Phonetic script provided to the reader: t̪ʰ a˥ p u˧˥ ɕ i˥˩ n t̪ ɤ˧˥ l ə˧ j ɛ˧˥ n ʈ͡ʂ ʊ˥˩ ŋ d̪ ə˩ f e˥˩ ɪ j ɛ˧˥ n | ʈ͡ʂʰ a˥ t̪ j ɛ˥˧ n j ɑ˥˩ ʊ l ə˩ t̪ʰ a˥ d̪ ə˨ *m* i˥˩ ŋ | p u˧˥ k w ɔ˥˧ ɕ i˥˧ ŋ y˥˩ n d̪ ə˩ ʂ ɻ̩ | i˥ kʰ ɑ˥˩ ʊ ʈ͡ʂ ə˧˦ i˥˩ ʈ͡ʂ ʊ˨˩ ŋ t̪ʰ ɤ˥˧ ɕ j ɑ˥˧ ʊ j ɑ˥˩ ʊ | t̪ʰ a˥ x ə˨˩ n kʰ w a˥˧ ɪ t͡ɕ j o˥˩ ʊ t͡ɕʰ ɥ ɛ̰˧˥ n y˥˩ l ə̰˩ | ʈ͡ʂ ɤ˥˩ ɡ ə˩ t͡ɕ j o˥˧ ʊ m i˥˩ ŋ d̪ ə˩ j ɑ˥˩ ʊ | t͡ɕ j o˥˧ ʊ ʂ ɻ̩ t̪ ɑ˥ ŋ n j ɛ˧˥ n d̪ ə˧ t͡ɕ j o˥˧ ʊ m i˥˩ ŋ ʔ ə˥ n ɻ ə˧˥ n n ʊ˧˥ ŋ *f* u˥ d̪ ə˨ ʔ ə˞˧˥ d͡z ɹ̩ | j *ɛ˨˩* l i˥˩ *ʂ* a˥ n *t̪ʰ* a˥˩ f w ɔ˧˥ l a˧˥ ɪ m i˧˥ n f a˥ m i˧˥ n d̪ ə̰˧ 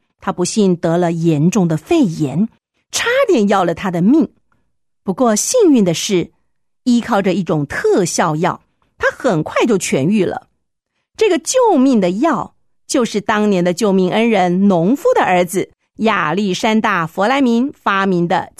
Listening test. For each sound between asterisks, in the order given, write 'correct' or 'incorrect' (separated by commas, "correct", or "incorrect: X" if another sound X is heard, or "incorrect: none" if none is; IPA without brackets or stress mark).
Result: correct, correct, incorrect: a˨˩, correct, incorrect: t̪